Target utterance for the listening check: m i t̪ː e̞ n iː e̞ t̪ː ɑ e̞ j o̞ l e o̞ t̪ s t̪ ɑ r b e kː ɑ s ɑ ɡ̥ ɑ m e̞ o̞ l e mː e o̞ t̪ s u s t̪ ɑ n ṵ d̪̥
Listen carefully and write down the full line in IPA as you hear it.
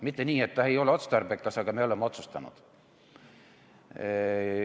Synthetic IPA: m i t̪ː e̞ n iː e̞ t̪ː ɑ e̞ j o̞ l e o̞ t̪ s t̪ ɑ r b e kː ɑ s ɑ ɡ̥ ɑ m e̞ o̞ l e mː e o̞ t̪ s u s t̪ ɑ n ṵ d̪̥